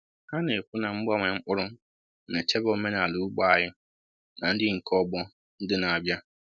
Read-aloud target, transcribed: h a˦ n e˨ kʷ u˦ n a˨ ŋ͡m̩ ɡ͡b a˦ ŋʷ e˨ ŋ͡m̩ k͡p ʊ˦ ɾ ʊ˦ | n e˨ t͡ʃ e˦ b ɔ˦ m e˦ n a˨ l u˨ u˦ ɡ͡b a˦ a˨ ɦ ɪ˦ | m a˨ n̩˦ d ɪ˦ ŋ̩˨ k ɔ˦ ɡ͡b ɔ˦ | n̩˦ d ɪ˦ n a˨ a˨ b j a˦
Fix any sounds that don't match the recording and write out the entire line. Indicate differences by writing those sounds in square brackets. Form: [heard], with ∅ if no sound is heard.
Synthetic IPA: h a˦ n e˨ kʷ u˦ n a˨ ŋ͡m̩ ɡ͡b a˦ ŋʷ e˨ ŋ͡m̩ k͡p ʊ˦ ɾ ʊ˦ | n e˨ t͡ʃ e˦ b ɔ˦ m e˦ n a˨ l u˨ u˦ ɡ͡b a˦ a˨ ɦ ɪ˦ | [n] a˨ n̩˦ d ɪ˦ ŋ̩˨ k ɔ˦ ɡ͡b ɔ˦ | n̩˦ d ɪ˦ n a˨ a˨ b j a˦